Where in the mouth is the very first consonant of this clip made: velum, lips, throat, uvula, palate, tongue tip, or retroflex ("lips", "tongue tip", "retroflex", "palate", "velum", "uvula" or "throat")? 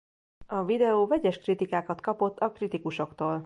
lips